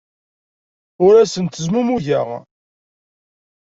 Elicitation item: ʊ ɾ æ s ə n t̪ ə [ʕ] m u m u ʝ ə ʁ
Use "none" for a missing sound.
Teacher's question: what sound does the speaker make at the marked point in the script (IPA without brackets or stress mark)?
z